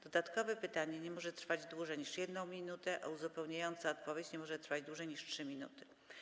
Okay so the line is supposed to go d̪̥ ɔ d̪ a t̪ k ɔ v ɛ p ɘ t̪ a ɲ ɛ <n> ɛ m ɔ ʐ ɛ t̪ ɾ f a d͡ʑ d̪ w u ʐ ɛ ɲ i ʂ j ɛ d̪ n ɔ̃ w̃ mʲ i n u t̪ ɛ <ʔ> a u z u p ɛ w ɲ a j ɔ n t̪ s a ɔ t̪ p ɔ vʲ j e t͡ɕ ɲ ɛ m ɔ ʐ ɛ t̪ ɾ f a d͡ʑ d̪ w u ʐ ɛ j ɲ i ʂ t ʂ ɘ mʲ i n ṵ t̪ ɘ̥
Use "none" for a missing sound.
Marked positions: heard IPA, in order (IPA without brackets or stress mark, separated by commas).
ɲ, ʔ